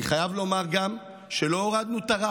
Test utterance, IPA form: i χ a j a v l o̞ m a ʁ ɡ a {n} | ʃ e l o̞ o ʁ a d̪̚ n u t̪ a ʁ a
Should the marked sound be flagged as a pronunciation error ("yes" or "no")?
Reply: yes